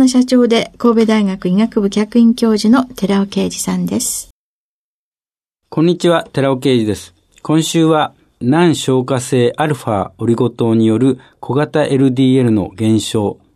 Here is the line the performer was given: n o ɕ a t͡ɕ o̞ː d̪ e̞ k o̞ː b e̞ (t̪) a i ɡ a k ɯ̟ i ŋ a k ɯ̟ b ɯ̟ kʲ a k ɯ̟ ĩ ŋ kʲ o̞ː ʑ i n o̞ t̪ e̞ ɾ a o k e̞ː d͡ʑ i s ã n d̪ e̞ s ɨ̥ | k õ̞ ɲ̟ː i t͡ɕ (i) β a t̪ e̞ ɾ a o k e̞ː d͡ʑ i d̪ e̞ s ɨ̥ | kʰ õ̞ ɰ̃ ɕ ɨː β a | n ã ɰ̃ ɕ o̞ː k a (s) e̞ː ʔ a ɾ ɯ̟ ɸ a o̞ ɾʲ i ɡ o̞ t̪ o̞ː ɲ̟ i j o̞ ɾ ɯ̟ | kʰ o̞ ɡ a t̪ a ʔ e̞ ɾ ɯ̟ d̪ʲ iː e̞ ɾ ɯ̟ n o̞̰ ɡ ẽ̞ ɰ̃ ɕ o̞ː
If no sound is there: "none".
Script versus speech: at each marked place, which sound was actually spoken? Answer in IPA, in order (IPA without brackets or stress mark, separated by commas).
d̪, i, s